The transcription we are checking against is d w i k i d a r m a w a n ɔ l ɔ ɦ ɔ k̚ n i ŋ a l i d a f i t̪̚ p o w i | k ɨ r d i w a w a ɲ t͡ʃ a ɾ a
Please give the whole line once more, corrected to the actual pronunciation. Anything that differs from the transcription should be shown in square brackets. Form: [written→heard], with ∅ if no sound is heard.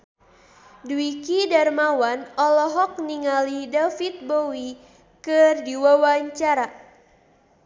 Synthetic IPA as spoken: d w i k i d a r m a w a n ɔ l ɔ ɦ ɔ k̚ n i ŋ a l i d a f i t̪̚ [p→b] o w i | k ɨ r d i w a w a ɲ t͡ʃ a ɾ a